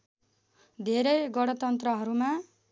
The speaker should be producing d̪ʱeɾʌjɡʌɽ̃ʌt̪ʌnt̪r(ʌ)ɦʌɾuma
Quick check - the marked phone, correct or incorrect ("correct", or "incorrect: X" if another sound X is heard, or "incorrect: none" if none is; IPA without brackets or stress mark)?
correct